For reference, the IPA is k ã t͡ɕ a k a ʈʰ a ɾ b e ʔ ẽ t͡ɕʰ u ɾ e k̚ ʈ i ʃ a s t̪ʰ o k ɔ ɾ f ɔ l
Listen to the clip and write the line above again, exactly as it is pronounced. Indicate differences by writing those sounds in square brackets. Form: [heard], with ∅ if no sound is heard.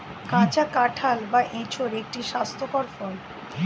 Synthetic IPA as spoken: k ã t͡ɕ a k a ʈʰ a [l] b [a] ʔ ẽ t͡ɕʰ [o] ɾ e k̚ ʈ i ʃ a s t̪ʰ o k ɔ ɾ f ɔ l